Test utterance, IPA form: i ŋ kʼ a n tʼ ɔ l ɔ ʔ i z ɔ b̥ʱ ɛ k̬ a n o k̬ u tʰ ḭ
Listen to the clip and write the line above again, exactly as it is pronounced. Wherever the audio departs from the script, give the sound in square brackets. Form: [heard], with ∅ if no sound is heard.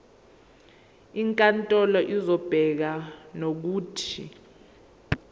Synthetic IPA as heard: i ŋ kʼ a n tʼ ɔ l ɔ ʔ i z ɔ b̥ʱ ɛ k̬ a n o k̬ [uː] tʰ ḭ